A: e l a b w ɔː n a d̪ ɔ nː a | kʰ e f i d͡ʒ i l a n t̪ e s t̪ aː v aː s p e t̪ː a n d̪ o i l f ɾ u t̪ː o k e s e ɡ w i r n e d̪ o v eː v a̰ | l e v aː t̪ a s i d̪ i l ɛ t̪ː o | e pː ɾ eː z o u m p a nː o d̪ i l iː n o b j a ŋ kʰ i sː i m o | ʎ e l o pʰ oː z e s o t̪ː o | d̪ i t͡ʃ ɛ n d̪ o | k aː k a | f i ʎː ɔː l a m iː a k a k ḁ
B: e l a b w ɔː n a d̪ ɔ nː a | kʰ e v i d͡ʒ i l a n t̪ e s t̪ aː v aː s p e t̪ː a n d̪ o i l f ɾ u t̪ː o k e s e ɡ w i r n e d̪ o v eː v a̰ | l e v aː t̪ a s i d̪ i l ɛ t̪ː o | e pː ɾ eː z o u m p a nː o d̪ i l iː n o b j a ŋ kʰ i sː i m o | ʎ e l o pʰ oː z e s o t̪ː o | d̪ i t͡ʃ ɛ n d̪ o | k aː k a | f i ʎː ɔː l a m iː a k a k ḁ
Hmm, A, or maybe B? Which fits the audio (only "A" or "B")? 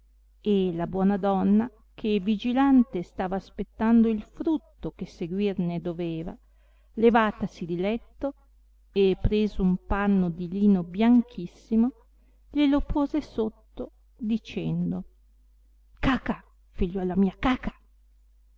B